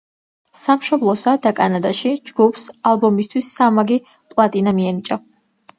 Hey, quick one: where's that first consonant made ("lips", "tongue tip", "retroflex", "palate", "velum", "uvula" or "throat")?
tongue tip